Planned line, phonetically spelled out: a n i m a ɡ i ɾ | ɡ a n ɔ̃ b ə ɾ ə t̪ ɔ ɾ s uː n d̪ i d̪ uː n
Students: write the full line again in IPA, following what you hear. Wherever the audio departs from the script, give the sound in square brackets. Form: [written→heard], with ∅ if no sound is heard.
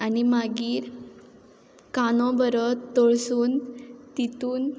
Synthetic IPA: a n i m a ɡ [i→iː] ɾ | [ɡ→k] a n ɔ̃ b ə ɾ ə t̪ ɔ [ɾ→ɭ] s uː n [d̪→t̪] i [d̪→t̪] uː n